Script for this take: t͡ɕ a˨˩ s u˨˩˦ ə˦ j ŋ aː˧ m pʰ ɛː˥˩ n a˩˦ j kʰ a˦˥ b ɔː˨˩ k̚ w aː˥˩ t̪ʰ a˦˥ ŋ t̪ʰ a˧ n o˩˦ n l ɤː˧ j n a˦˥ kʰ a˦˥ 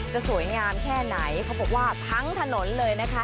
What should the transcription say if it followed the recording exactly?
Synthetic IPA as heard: t͡ɕ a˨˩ s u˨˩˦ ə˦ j ŋ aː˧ m kʰ ɛː˥˩ n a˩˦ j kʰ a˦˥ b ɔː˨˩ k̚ w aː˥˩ t̪ʰ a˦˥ ŋ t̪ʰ a˧ n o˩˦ n l ɤː˧ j n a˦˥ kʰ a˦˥